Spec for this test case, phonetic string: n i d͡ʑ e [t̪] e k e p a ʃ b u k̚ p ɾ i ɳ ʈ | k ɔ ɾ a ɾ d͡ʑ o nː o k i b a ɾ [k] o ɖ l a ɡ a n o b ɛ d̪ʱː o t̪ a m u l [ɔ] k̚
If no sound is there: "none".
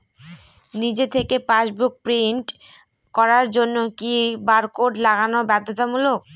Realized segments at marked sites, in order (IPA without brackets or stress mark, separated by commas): t̪ʰ, k, o